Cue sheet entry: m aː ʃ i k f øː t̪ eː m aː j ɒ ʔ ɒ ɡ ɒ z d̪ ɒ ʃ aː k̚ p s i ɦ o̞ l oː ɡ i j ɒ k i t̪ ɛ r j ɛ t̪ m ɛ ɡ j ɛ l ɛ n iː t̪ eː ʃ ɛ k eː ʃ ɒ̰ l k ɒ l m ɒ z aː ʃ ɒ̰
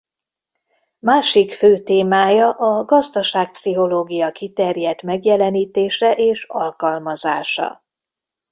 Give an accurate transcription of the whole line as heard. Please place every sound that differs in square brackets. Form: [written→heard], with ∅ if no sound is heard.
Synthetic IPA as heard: m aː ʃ i k f øː t̪ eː m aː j ɒ ʔ ɒ ɡ ɒ z d̪ ɒ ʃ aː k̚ p s i ɦ o̞ l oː ɡ i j ɒ k i t̪ ɛ r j ɛ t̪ m ɛ ɡ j ɛ l ɛ n iː t̪ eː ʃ ɛ [k→ʔ] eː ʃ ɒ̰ l k ɒ l m ɒ z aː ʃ ɒ̰